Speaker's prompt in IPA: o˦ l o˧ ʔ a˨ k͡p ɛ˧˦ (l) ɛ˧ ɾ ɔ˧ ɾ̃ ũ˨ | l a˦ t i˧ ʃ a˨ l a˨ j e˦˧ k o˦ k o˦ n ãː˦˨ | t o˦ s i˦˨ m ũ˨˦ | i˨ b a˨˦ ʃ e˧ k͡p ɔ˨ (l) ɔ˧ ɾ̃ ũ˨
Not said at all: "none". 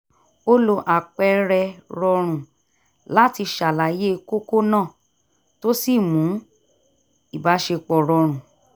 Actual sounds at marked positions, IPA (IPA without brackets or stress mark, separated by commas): ɾ, ɾ